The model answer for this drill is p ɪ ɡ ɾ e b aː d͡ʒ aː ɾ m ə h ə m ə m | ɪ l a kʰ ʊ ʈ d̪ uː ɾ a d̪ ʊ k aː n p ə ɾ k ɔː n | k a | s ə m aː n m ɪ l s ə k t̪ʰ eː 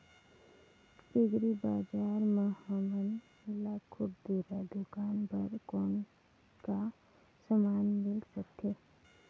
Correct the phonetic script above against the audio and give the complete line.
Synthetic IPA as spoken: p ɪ ɡ ɾ i b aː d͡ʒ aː ɾ m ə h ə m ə n | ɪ l a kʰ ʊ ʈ d̪ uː ɾ a d̪ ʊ k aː n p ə ɾ k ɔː n | k a | s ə m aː n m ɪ l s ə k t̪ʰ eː